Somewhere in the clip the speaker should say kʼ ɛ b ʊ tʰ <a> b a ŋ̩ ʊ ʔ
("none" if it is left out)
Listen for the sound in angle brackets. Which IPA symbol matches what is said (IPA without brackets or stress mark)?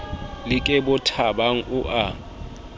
a